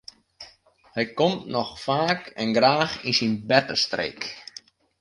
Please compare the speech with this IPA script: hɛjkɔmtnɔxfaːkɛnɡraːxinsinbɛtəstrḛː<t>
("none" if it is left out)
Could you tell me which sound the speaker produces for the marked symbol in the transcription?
k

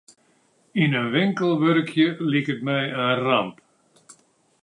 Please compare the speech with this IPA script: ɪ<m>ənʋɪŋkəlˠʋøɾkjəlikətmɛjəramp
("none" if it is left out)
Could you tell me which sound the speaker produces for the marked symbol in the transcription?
n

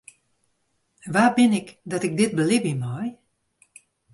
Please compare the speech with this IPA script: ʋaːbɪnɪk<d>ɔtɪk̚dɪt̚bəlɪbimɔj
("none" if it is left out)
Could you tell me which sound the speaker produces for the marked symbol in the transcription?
d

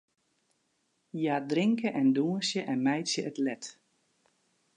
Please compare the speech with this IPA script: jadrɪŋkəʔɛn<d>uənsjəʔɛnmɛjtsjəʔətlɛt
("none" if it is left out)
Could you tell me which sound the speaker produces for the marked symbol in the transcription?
d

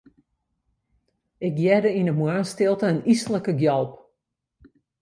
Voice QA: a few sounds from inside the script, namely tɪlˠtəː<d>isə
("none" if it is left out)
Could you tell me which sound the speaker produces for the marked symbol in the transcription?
n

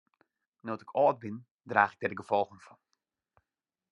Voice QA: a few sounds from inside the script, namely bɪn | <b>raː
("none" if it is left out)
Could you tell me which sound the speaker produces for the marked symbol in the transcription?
d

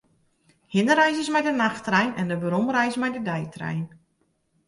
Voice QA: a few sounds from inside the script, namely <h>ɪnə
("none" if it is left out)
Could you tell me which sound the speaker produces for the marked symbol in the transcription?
h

